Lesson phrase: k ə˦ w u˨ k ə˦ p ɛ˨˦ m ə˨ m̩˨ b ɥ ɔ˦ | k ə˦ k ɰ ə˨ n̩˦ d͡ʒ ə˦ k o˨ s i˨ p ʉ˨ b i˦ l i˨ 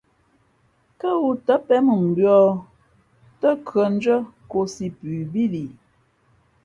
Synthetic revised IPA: k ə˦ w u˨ t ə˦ p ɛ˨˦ m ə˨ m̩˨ b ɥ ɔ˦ | t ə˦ k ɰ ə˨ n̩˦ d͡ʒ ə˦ k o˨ s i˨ p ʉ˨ b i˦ l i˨